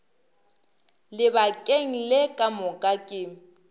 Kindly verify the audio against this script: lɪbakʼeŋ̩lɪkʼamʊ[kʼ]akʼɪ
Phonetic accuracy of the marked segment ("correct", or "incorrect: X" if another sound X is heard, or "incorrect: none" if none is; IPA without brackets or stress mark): correct